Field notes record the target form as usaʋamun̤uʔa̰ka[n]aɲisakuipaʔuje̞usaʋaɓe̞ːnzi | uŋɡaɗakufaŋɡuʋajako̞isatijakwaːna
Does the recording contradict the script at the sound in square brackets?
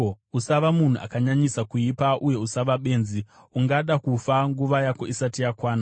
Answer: yes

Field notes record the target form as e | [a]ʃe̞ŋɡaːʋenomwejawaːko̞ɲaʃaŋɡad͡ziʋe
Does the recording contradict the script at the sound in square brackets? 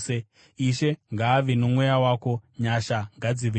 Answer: yes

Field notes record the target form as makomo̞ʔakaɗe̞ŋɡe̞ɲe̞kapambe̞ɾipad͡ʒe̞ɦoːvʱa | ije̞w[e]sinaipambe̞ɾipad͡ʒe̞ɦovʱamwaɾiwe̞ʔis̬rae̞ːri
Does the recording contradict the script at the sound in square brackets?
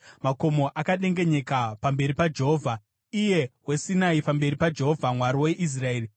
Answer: no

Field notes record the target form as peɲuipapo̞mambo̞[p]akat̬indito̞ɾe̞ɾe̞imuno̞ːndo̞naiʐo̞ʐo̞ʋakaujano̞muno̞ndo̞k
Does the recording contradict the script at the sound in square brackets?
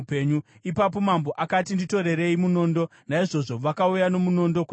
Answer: yes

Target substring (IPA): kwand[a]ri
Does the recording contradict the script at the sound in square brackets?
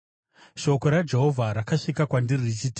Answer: yes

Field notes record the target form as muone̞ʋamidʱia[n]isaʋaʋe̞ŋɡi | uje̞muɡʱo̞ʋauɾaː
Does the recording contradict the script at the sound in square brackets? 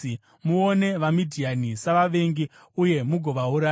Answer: no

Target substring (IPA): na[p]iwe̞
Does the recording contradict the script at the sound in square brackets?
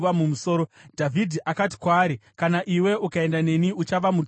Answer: yes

